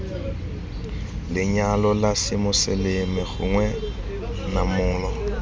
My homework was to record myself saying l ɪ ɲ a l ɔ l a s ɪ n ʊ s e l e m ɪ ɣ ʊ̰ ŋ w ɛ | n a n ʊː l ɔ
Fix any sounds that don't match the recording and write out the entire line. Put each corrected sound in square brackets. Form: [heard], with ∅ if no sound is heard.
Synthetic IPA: l ɪ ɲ a l ɔ l a s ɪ [m] ʊ s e l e m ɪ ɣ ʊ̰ ŋ w ɛ | n a [m] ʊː l ɔ